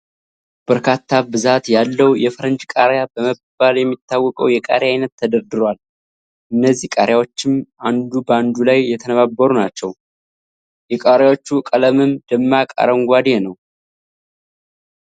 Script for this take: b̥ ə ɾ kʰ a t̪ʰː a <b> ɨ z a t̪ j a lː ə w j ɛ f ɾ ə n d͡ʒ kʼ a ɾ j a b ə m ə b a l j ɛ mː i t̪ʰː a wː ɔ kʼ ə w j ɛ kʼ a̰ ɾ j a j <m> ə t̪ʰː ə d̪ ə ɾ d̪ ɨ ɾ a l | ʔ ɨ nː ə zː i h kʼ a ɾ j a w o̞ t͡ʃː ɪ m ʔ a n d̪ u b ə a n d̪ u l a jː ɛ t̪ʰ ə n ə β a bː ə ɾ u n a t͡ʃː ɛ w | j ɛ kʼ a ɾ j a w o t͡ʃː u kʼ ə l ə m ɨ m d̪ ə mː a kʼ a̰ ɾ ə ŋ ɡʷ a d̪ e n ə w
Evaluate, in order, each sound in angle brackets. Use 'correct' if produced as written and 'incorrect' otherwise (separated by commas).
correct, incorrect